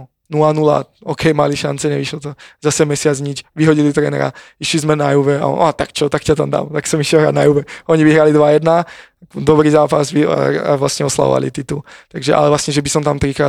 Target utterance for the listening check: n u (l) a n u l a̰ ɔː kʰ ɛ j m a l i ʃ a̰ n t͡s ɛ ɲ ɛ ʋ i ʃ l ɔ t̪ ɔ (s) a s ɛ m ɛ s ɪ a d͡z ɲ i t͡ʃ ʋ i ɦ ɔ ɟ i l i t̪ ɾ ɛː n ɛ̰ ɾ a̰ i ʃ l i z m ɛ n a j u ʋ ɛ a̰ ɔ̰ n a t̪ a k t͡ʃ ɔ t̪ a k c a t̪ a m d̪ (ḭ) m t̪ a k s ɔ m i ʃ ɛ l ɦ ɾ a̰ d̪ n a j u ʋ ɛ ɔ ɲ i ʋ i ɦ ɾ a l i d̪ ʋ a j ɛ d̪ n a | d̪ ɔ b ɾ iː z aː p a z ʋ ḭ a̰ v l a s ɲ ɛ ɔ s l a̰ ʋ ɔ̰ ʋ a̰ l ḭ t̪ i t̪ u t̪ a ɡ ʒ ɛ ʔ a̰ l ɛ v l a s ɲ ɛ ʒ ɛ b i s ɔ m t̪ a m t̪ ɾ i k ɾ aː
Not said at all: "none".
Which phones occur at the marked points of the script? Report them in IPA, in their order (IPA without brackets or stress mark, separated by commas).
l, z, a̰